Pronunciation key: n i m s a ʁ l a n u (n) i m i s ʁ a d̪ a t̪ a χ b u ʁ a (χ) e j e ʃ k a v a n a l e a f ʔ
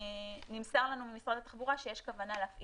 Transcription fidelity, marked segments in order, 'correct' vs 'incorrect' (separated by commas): incorrect, incorrect